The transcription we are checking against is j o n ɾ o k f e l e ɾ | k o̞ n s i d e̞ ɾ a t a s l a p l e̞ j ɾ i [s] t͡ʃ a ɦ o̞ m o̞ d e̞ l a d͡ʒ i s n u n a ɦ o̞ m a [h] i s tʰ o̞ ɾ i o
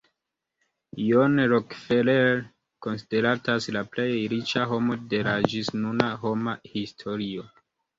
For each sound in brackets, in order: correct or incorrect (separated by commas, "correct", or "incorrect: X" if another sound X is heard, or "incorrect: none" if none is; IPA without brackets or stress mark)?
incorrect: none, correct